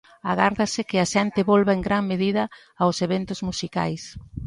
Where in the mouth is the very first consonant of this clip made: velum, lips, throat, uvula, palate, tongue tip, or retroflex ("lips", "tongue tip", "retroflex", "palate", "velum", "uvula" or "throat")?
velum